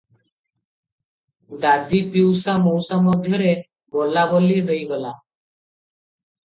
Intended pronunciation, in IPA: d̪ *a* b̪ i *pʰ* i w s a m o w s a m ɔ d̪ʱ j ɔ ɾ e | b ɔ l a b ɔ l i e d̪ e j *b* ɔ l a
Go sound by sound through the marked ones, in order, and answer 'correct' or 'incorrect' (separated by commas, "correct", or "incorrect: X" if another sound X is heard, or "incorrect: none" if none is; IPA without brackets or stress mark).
correct, incorrect: p, incorrect: ɡ